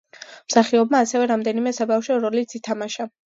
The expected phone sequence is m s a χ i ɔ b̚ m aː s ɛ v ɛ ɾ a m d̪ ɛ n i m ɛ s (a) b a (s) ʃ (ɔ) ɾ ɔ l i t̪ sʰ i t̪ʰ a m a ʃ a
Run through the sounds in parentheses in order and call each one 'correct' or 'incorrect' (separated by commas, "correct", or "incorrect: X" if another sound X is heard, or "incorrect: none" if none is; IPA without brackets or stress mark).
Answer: correct, incorrect: f, correct